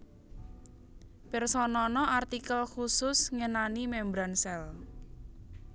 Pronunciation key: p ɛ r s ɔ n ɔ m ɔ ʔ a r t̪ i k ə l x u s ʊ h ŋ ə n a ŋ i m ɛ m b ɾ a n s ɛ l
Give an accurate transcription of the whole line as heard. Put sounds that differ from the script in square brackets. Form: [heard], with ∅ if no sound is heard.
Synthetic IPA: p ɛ r s ɔ n ɔ [n] ɔ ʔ a r t̪ i k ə l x u s ʊ [s] ŋ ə n a [n] i m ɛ m b ɾ a n s ɛ l